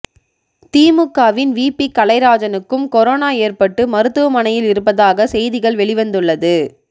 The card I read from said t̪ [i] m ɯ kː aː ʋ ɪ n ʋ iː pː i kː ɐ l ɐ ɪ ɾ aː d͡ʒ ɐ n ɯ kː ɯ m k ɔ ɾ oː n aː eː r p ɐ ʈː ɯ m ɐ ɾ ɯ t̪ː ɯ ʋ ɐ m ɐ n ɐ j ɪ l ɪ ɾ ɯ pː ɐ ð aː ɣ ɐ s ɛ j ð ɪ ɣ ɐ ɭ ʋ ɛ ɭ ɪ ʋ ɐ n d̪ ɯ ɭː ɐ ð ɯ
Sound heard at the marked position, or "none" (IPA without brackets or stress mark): iː